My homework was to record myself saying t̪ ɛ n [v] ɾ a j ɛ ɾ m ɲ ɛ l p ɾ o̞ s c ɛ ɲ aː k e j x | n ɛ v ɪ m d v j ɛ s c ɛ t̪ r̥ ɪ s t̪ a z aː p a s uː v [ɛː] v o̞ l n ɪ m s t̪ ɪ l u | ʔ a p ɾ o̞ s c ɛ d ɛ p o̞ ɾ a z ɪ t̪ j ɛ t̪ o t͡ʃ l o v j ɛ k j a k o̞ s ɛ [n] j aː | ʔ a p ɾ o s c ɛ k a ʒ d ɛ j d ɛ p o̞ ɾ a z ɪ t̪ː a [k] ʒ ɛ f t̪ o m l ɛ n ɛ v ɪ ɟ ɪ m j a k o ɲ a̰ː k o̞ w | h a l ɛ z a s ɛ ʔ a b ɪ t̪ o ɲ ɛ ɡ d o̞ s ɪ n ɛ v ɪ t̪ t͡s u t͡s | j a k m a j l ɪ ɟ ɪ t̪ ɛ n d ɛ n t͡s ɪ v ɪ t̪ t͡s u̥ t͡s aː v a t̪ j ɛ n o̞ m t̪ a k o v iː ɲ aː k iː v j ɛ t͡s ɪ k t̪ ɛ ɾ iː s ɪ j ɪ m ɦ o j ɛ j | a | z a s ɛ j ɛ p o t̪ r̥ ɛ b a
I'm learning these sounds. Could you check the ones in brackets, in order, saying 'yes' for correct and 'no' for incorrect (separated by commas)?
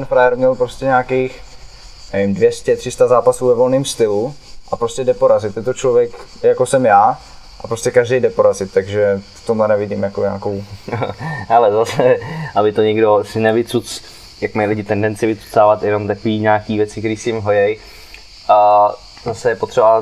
no, no, no, no